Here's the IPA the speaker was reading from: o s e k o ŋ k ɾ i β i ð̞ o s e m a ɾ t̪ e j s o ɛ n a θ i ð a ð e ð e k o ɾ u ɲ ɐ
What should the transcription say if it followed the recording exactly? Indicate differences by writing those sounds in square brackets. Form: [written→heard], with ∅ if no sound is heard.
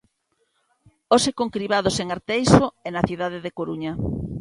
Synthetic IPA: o s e k o ŋ k ɾ i β [i→a] ð̞ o s e [m→ŋ] a ɾ t̪ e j s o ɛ n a θ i ð a ð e ð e k o ɾ u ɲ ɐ

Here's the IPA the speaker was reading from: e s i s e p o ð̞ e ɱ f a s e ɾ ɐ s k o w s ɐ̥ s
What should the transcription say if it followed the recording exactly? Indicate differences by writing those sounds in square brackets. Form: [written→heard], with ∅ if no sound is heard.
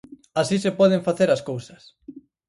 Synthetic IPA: [e→a] s i s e p [o→ɔ] ð̞ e ɱ f a [s→θ] e ɾ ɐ s k o w s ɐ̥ s

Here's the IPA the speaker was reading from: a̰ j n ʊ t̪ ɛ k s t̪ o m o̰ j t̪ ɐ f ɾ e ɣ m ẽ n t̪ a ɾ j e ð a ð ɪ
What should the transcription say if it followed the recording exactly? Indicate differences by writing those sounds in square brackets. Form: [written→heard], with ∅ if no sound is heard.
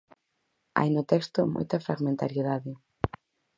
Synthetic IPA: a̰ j n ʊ t̪ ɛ k s t̪ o m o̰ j t̪ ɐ f ɾ [e→a] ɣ m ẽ n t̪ a ɾ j e ð a ð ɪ

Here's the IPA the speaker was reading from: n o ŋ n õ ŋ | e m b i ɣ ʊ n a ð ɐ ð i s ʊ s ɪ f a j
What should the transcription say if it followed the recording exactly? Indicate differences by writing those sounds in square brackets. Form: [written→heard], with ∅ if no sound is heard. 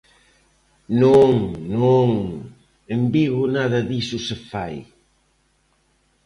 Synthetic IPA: n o ŋ n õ ŋ | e m b i ɣ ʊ n a ð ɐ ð i s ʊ s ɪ f a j

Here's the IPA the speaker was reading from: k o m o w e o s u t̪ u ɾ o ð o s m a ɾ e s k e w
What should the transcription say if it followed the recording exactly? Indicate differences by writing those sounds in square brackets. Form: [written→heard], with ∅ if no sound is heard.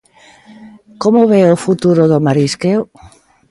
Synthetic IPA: k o m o [w→β] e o [s→f] u t̪ u ɾ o ð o [s→∅] m a ɾ [e→i] s k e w

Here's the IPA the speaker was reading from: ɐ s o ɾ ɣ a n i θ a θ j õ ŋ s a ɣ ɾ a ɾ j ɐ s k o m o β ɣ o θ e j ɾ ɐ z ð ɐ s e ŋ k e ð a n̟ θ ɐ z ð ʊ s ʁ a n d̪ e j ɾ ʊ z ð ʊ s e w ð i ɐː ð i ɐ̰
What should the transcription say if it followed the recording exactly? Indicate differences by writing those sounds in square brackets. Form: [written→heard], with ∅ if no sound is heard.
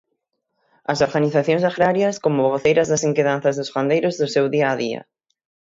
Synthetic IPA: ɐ s o ɾ ɣ a n i θ a θ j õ ŋ s a ɣ ɾ a ɾ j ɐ s k o m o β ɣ o θ e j ɾ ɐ z ð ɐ s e ŋ k e ð a n̟ θ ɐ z ð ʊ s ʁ a n d̪ e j ɾ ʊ z ð ʊ s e w ð i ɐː ð i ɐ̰

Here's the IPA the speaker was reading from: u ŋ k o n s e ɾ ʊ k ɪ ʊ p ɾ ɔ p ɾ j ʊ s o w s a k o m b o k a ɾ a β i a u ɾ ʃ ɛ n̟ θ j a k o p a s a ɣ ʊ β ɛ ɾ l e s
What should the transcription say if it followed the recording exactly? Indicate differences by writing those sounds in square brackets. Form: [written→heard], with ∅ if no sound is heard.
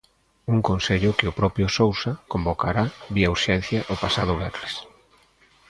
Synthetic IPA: u ŋ k o n s e [ɾ→ʎ] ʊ k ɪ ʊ p ɾ ɔ p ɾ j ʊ s o w s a k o m b o k a ɾ a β i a u ɾ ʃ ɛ n̟ θ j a [k→ʔ] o p a s a [ɣ→ð] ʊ β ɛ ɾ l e s

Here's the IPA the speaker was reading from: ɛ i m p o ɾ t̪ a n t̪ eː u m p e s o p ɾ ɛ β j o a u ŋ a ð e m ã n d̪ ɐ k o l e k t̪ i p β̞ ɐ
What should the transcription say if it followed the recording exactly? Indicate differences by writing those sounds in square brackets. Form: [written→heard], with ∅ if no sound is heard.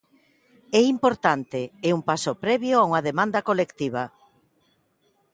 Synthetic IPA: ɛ i m p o ɾ t̪ a n t̪ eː u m p [e→a] s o p ɾ ɛ β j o a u ŋ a ð e m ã n d̪ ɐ k o l e k t̪ i [p→∅] β̞ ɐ

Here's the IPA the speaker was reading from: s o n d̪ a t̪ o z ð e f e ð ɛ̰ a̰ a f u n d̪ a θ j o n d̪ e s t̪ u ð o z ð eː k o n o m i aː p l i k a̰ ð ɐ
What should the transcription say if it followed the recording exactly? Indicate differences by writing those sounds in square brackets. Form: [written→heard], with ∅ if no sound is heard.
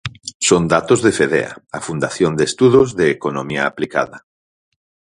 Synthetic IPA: s o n d̪ a t̪ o z ð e f e ð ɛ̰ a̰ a f u n d̪ a θ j o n d̪ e s t̪ u ð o z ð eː k o n o m i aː p l i k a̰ ð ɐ

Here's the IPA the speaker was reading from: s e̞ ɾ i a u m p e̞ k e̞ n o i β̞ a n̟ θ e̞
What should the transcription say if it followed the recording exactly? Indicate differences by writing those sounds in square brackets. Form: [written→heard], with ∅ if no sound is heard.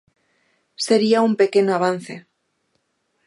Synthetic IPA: s e̞ ɾ i a u m p e̞ k e̞ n o [i→a] β̞ a n̟ θ e̞

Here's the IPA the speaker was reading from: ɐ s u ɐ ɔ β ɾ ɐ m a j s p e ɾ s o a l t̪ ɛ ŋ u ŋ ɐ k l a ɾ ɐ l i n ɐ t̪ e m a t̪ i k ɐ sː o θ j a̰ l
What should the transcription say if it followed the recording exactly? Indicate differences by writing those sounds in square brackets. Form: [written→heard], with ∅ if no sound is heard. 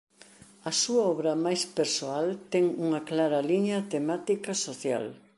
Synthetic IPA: ɐ s u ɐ ɔ β ɾ ɐ m a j s p e ɾ s o a l t̪ ɛ ŋ u ŋ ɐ k l a ɾ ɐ l i [n→ɲ] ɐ t̪ e m a t̪ i k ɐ [sː→s] o θ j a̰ l

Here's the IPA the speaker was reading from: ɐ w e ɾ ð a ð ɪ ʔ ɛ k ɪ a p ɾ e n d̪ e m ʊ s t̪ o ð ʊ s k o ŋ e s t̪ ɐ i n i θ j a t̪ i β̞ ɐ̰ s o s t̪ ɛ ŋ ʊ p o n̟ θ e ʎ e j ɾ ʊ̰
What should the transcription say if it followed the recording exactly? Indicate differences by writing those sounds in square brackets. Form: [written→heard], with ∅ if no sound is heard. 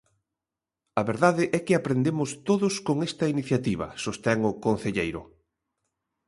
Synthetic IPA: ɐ [w→β] e ɾ ð a ð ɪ ʔ ɛ k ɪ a p ɾ e n d̪ e m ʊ s t̪ o ð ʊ s k o ŋ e s t̪ ɐ i n i θ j a t̪ i β̞ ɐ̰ s o s t̪ ɛ ŋ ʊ [p→k] o n̟ θ e ʎ e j ɾ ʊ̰

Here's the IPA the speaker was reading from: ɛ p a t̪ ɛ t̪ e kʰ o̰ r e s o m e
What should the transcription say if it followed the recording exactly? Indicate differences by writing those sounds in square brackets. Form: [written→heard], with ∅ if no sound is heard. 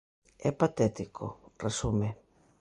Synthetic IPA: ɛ p a t̪ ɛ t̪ [e→i] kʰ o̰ r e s [o→u] m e

